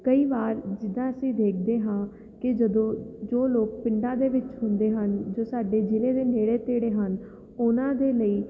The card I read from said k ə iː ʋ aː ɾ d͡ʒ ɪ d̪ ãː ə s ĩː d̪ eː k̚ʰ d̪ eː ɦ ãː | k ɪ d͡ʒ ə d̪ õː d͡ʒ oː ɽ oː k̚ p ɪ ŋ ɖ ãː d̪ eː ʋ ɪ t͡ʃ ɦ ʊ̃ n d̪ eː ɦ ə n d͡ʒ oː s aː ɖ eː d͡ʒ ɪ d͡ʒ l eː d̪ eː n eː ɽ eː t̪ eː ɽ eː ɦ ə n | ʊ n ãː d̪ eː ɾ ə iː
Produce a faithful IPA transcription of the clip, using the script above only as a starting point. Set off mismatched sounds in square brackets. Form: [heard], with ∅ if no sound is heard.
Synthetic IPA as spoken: k ə iː ʋ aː ɾ d͡ʒ ɪ d̪ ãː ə s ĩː d̪ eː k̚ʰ d̪ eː ɦ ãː | k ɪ d͡ʒ ə d̪ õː d͡ʒ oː [l] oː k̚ p ɪ [ɳ] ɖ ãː d̪ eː ʋ ɪ t͡ʃ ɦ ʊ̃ n d̪ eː ɦ ə n d͡ʒ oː s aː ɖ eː d͡ʒ ɪ [∅] l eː d̪ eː n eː ɽ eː t̪ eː ɽ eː ɦ ə n | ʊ n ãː d̪ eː [l] ə iː